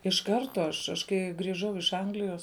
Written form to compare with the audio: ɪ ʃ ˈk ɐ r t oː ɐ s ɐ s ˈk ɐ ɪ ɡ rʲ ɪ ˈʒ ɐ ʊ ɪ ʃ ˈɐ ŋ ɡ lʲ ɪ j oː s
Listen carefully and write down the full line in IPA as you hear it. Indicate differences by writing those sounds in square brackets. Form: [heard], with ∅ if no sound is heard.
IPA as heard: ɪ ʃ ˈk ɐ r t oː ɐ [ʃ] ɐ [ʃ] ˈk ɐ ɪ ɡ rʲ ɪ ˈʒ ɐ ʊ ɪ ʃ ˈɐ ŋ ɡ lʲ ɪ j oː s